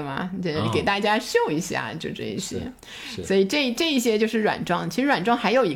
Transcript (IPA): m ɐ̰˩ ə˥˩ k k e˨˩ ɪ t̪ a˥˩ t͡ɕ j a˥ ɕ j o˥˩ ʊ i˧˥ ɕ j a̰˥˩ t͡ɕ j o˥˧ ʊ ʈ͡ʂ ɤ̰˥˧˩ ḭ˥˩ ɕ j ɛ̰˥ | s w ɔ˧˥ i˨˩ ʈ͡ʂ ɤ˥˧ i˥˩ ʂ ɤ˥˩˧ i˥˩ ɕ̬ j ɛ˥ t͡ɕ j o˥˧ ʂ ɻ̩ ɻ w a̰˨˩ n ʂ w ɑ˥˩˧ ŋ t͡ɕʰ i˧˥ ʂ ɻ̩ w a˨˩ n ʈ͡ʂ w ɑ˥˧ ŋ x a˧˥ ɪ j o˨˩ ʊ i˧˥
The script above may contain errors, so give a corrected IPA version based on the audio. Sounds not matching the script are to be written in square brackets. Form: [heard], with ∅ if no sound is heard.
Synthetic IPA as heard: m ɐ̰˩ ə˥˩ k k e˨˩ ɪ t̪ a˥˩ t͡ɕ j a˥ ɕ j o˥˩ ʊ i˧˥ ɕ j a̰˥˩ t͡ɕ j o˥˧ ʊ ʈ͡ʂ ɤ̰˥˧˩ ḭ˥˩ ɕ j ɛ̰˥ | s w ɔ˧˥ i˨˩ ʈ͡ʂ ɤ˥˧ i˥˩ [ʈ͡ʂ] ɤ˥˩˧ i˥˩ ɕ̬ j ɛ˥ t͡ɕ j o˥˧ ʂ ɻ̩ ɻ w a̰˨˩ n [ʈ͡ʂ] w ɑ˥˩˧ ŋ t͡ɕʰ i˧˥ ʂ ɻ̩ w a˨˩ n ʈ͡ʂ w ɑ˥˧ ŋ x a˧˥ ɪ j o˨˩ ʊ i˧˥